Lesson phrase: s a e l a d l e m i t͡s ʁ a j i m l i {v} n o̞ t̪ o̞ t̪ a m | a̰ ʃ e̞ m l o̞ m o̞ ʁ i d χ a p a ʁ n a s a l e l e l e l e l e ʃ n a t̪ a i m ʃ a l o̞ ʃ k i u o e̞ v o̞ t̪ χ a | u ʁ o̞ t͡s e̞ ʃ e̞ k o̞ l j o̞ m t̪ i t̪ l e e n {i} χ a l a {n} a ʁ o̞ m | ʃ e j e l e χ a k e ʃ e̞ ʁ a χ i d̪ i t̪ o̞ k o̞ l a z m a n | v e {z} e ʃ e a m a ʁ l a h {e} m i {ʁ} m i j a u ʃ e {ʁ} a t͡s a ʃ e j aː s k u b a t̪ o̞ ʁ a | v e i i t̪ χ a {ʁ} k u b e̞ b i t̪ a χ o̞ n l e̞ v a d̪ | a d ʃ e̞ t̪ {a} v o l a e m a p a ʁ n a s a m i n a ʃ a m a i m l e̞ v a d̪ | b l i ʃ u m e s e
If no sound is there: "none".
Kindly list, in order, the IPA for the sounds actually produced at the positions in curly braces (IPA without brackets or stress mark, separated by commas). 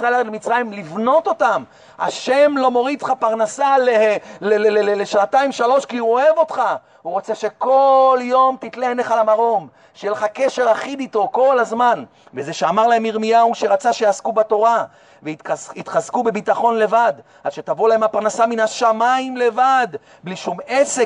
v, e, m, z, e, ʁ, ʁ, z, a